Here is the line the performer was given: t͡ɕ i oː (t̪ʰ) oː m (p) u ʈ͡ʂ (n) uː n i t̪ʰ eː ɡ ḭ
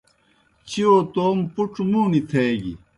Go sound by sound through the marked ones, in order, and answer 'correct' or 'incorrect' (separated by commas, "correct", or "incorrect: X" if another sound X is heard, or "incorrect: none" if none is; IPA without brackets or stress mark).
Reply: incorrect: t̪, correct, incorrect: m